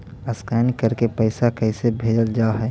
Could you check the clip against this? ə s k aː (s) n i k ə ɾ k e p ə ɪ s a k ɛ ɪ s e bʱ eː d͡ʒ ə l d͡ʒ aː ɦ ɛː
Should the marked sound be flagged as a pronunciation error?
yes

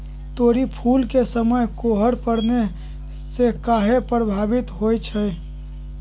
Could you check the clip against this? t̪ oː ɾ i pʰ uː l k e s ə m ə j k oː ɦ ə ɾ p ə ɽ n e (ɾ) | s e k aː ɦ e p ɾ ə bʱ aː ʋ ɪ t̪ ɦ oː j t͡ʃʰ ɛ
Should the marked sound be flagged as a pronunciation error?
yes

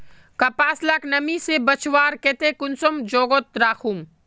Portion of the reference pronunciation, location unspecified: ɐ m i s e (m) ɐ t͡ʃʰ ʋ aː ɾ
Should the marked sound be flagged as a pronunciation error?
yes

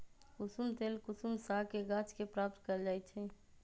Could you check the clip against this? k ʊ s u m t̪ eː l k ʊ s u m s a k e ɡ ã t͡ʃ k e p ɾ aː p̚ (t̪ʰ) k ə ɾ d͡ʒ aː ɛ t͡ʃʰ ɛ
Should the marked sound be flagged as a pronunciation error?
yes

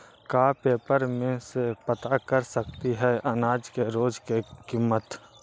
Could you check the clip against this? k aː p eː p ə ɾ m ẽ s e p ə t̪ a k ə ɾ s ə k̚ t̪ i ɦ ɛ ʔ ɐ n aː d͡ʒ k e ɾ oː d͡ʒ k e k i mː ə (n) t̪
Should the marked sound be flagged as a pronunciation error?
yes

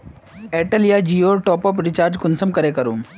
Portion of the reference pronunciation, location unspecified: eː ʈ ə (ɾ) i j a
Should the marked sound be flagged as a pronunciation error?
yes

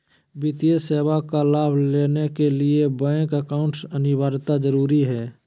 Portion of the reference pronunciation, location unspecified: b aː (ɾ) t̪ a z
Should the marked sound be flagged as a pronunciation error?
no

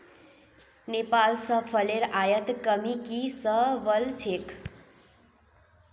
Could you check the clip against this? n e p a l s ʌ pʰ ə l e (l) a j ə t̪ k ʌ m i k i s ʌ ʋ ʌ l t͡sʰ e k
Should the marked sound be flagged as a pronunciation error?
yes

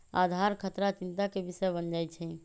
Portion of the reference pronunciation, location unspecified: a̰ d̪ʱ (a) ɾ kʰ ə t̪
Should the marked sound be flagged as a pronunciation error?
no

